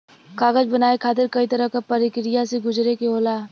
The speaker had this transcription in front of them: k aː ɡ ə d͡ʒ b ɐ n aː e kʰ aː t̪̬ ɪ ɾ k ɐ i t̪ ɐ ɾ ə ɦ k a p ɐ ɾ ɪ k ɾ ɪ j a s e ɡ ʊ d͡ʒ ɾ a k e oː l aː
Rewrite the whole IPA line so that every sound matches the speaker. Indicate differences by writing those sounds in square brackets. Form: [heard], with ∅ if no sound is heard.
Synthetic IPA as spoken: k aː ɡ ə d͡ʒ b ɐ n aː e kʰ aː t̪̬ ɪ ɾ k ɐ i t̪ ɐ ɾ ə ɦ k a p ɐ ɾ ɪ k ɾ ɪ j a s e ɡ ʊ d͡ʒ ɾ [e] k e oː l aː